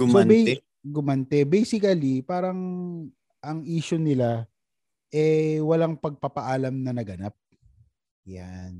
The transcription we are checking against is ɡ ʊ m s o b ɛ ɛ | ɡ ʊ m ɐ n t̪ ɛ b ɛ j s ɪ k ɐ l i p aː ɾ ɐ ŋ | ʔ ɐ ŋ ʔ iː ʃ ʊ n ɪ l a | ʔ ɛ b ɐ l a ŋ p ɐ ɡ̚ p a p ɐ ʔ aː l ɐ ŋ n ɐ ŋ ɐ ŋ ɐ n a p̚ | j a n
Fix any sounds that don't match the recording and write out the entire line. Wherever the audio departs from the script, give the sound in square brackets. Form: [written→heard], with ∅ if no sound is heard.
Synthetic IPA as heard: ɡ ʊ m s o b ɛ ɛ | ɡ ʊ m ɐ n t̪ ɛ b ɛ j s ɪ k ɐ l i p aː ɾ ɐ ŋ | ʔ ɐ ŋ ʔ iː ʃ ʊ n ɪ l a | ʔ ɛ [b→w] ɐ l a ŋ p ɐ ɡ̚ p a p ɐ ʔ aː l ɐ [ŋ→m] n ɐ [ŋ→n] ɐ [ŋ→ɡ] ɐ n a p̚ | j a n